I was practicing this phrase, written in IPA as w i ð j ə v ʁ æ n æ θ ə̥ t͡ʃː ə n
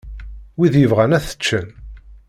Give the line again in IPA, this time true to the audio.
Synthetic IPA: w i ð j ə v ʁ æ n æ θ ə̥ t͡ʃː ə n